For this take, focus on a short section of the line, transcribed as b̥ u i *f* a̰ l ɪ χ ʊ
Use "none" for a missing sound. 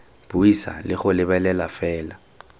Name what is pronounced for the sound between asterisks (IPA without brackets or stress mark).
s